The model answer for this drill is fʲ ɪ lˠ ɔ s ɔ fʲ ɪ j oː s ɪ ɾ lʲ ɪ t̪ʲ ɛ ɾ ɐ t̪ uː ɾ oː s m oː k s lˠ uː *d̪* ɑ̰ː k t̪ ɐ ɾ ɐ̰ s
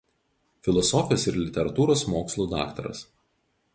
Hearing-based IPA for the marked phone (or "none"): d̪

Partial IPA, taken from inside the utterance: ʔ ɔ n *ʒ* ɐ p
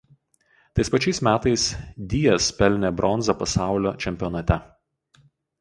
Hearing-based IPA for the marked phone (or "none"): z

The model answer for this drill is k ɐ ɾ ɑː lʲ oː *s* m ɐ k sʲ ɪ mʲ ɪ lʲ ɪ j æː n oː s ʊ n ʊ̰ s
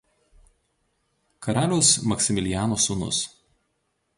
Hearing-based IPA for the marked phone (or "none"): s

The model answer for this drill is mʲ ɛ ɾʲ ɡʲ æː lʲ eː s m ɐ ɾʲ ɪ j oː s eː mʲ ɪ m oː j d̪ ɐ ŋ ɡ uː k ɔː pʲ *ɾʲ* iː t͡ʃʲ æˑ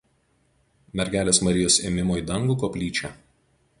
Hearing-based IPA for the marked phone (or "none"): lʲ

